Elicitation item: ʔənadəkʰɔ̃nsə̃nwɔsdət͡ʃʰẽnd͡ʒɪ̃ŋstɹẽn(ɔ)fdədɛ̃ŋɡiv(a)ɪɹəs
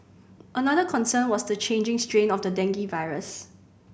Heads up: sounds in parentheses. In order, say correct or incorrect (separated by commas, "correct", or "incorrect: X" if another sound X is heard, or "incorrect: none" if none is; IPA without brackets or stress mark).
correct, correct